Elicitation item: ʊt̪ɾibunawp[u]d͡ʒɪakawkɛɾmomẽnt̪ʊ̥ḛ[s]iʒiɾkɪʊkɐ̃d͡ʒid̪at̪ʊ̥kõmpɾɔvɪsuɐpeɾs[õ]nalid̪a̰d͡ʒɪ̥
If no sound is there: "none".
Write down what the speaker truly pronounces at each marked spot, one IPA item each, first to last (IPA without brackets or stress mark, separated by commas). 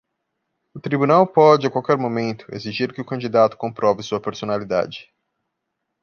ɔ, z, o